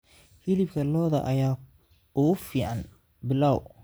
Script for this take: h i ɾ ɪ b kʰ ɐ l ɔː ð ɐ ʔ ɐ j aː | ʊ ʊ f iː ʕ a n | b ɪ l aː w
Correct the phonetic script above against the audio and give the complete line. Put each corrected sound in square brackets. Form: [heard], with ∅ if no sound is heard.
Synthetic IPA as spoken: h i [l] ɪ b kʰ ɐ l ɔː ð ɐ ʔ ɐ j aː | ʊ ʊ f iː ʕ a n | b ɪ l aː w